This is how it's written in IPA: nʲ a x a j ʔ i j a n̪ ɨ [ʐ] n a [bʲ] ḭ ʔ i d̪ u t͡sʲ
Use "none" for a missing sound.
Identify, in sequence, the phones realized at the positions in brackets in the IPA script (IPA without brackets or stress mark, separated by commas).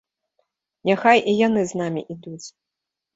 z, mʲ